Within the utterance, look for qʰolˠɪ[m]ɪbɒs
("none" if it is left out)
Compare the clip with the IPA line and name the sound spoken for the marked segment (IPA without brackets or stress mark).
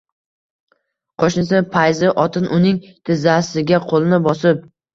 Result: n